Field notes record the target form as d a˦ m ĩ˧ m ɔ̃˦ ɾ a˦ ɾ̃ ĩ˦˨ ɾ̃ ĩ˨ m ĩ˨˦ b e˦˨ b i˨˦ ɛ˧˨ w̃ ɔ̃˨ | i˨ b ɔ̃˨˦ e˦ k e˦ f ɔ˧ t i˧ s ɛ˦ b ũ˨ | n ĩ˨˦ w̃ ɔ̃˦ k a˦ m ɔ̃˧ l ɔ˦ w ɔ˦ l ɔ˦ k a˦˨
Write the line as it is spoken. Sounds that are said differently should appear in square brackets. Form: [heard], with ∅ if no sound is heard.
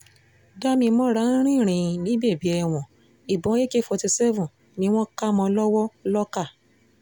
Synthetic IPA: d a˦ m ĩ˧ m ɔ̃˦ ɾ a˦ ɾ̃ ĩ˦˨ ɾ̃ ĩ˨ [n] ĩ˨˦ b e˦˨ b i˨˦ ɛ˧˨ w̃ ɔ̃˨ | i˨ b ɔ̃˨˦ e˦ k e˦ f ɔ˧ t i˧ s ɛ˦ [v] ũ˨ | n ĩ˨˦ w̃ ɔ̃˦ k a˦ m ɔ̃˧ l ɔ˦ w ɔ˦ l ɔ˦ k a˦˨